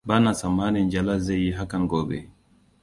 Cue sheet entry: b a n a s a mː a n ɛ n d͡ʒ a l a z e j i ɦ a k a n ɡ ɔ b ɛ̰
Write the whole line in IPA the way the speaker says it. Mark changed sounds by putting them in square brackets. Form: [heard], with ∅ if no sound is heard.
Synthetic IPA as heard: b a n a s a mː a n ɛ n d͡ʒ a l a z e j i ɦ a k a n ɡ ɔ b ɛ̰